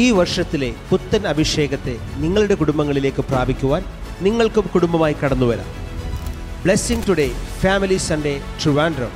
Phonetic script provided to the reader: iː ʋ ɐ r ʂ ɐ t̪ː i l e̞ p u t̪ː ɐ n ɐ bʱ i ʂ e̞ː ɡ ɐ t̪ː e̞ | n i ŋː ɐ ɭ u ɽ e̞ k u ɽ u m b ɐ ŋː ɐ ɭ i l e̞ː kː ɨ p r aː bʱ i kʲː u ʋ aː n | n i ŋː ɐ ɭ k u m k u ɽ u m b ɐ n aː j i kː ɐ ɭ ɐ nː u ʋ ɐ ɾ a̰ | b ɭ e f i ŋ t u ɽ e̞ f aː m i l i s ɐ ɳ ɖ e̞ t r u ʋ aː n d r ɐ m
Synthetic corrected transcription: iː ʋ ɐ r ʂ ɐ t̪ː i l e̞ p u t̪ː ɐ n ɐ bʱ i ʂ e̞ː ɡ ɐ t̪ː e̞ | n i ŋː ɐ ɭ u ɽ e̞ k u ɽ u m b ɐ ŋː ɐ ɭ i l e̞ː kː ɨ p r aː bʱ i kʲː u ʋ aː n | n i ŋː ɐ ɭ k u m k u ɽ u m b ɐ m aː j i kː ɐ ɽ ɐ nː u ʋ ɐ ɾ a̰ | b ɭ e s i ŋ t u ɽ e̞ f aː m i l i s ɐ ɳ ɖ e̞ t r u ʋ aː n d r ɐ m